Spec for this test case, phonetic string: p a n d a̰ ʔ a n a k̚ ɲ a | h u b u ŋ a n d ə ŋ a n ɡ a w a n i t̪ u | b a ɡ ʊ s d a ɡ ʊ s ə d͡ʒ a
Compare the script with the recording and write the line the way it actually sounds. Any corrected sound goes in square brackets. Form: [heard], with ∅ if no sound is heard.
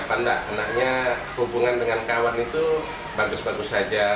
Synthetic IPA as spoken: p a n d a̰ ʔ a n a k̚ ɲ a | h u b u ŋ a n d ə ŋ a n [k] a w a n i t̪ u | b a ɡ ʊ s [b] a ɡ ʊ s [a] d͡ʒ a